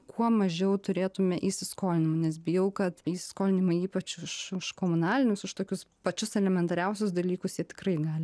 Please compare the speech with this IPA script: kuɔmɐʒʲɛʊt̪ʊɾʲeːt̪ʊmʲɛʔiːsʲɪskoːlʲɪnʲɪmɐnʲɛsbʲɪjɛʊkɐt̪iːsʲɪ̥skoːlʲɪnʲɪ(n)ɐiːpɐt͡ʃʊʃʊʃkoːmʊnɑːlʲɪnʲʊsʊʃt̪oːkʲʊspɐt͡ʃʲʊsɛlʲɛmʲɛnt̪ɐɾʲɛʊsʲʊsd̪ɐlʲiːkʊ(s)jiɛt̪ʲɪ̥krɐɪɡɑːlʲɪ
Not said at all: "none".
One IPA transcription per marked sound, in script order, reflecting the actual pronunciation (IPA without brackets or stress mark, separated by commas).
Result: m, s